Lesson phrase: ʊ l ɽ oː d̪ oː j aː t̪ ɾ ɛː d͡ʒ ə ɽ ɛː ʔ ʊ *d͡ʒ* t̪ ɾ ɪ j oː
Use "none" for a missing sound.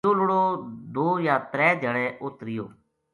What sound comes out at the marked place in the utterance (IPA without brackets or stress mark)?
none